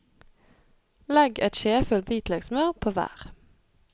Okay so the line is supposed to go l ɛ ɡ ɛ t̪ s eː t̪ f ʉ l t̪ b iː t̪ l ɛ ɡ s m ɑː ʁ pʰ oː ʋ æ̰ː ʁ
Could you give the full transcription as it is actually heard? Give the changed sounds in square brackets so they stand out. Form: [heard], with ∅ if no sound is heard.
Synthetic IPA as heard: l ɛ ɡ ɛ t̪ [ʃ] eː [∅] f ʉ l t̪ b iː t̪ l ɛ ɡ s m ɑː ʁ pʰ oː ʋ æ̰ː ʁ

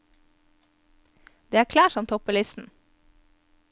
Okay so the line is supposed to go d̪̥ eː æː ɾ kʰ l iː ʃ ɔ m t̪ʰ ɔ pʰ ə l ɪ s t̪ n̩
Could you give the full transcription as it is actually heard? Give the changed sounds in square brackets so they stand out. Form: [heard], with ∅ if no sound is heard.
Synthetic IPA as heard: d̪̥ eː æː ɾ kʰ l [æː] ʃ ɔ m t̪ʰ ɔ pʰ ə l ɪ s t̪ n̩

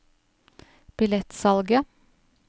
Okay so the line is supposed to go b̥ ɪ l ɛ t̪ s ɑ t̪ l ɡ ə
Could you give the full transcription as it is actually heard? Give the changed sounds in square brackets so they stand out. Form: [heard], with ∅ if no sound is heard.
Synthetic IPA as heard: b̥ ɪ l ɛ t̪ s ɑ [∅] l ɡ ə

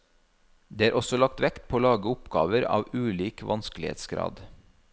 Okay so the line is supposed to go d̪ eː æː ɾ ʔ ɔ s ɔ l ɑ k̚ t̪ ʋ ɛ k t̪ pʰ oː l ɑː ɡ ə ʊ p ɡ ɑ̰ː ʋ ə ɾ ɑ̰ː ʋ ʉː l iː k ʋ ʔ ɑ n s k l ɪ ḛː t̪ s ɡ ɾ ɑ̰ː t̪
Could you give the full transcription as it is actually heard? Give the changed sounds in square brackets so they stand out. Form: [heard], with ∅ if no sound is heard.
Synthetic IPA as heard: d̪ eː æː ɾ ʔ ɔ s ɔ l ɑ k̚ t̪ ʋ ɛ k t̪ pʰ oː l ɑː ɡ ə ʊ p ɡ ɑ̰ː ʋ ə ɾ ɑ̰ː ʋ ʉː l iː k ʋ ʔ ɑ n s k l ɪ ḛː t̪ s ɡ ɾ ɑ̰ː [d̪]

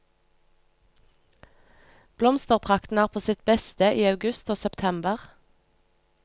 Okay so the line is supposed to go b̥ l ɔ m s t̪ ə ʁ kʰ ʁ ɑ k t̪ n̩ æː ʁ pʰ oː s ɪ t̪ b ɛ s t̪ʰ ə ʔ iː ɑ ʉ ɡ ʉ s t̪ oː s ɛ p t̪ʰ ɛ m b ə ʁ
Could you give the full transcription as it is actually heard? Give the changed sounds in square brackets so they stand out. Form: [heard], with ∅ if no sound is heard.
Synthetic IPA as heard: b̥ l ɔ m s t̪ ə ʁ [pʰ] ʁ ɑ k t̪ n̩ æː ʁ pʰ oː s ɪ t̪ b ɛ s [t̪] ə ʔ iː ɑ ʉ ɡ ʉ s t̪ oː s ɛ p t̪ʰ ɛ m b ə ʁ

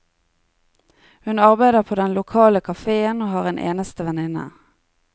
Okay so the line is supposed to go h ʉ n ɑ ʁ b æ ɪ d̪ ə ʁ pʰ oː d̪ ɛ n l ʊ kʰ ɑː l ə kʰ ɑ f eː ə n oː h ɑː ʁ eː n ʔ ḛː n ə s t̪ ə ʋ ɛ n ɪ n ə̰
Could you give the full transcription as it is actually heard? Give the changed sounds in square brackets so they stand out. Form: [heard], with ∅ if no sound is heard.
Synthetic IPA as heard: h ʉ n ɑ ʁ b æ ɪ d̪ ə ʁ pʰ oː d̪ ɛ n l ʊ kʰ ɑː l ə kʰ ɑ f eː ə n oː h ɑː ʁ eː n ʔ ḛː n ə s t̪ ə ʋ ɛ n ɪ n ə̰

